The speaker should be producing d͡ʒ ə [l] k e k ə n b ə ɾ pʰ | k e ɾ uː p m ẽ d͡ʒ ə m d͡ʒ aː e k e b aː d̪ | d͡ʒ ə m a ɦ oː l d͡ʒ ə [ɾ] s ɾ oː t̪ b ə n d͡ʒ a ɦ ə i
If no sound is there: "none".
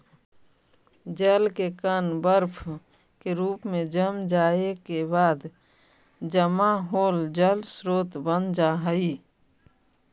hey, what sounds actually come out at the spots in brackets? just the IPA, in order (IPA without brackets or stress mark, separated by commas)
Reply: l, l